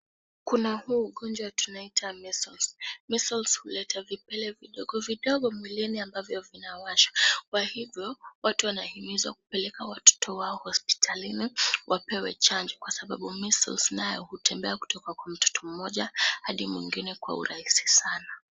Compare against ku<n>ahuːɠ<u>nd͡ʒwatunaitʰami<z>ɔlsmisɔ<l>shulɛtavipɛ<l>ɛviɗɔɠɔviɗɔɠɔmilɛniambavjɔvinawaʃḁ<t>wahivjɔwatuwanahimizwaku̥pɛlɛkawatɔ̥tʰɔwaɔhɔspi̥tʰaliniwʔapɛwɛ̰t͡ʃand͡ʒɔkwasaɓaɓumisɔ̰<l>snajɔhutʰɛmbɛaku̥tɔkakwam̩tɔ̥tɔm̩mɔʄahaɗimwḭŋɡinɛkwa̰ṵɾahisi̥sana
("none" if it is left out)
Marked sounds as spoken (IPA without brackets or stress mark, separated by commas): n, ɔ, s, l, l, k, l